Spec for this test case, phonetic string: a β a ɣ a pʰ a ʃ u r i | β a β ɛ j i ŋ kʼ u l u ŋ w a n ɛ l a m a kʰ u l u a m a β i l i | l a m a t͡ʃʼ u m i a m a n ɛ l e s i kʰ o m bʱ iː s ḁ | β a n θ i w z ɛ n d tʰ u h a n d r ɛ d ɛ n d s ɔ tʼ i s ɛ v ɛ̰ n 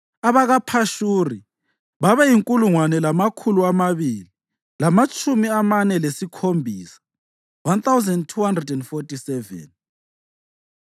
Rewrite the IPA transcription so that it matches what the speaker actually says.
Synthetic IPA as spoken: a β a ɣ a pʰ a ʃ u r i | β a β ɛ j i ŋ kʼ u l u ŋ w a n ɛ l a m a kʰ u l u a m a β i l i | l a m a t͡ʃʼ u m i a m a n ɛ l e s i kʰ o m bʱ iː s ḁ | w a n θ a w z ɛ n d tʰ u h a n d r ɛ d ɛ n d f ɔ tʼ i s ɛ v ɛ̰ n